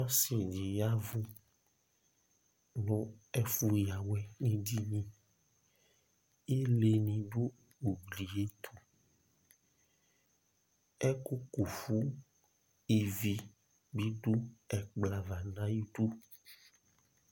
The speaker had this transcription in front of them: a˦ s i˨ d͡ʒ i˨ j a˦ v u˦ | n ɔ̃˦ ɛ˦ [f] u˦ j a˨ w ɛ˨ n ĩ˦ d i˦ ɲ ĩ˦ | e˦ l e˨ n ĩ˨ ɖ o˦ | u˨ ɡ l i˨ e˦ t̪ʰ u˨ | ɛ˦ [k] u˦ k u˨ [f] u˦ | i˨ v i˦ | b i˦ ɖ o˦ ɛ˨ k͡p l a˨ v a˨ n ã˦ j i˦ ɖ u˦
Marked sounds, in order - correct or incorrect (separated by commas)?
correct, correct, correct